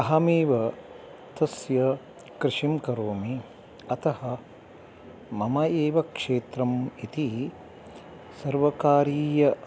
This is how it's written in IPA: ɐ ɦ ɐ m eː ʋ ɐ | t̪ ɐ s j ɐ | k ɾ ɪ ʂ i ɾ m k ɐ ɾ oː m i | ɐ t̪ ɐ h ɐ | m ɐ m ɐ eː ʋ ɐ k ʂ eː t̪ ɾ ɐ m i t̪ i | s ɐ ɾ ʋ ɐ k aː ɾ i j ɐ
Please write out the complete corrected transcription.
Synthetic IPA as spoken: ɐ ɦ ɐ m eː ʋ ɐ | t̪ ɐ s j ɐ | k ɾ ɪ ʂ i m k ɐ ɾ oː m i | ɐ t̪ ɐ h ɐ | m ɐ m ɐ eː ʋ ɐ k ʂ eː t̪ ɾ ɐ m i t̪ i | s ɐ ɾ ʋ ɐ k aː ɾ iː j ɐ